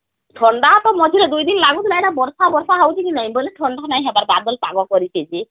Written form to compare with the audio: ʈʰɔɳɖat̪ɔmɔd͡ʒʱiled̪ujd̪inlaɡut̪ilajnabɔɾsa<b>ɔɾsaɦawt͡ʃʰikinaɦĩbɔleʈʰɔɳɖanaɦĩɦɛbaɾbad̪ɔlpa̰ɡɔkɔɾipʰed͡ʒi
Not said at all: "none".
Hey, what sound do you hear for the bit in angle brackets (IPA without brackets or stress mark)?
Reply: b